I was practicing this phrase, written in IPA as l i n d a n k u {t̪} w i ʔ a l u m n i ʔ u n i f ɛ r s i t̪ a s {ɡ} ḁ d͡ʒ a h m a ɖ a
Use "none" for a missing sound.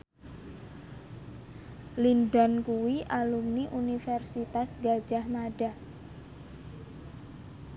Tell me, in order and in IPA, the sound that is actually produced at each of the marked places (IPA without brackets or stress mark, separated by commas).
none, ɡ